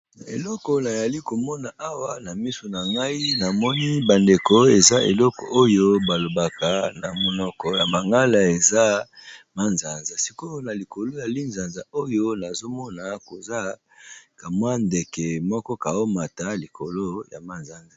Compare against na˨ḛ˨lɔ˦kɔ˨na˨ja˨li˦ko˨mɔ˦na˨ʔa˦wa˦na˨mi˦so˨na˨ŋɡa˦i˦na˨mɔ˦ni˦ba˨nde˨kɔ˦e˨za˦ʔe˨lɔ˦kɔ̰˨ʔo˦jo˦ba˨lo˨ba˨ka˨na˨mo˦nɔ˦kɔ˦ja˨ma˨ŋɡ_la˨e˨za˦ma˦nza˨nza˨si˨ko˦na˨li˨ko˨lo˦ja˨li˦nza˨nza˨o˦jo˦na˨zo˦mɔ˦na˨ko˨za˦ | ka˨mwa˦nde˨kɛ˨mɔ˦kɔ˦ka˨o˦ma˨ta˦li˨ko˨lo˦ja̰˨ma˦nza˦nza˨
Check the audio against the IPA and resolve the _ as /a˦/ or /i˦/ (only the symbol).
a˦